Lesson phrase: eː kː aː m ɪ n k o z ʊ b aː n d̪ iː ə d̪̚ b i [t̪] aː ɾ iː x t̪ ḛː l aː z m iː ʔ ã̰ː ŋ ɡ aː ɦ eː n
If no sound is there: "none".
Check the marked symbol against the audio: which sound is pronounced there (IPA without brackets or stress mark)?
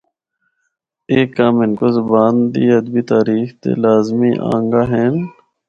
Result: t̪